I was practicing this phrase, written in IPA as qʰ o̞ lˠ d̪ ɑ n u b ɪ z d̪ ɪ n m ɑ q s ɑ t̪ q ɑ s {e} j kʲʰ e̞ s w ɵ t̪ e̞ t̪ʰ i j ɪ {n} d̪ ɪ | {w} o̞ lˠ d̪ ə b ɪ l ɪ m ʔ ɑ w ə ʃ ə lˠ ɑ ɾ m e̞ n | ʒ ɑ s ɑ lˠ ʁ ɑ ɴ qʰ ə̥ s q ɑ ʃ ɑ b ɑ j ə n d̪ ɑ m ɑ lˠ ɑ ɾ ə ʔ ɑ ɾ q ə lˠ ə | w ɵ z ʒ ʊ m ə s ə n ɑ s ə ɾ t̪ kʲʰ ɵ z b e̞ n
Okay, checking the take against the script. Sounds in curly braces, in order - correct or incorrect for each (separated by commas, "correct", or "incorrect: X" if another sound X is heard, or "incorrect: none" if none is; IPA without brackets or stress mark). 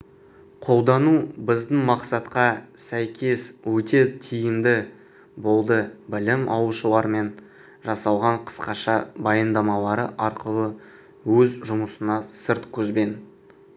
incorrect: æ, incorrect: m, incorrect: b